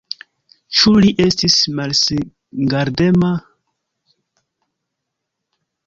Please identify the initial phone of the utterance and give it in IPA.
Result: t͡ʃ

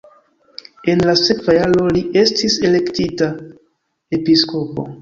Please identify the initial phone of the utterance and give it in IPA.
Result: e̞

